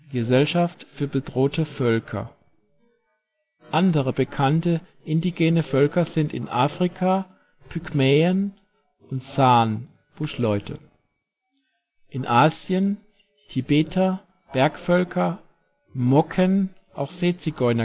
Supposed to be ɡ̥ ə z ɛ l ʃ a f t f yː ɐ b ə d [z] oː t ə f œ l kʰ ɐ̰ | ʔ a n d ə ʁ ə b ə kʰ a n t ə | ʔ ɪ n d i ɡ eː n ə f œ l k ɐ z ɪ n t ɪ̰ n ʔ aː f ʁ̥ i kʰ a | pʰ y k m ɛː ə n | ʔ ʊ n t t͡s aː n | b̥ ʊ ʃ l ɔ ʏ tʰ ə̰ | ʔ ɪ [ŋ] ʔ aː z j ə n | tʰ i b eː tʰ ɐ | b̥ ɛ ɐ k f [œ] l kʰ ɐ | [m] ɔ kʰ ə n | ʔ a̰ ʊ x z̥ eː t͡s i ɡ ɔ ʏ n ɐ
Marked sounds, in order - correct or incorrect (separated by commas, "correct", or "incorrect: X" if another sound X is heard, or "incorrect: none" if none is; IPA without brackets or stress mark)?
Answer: incorrect: ʁ, incorrect: n, correct, correct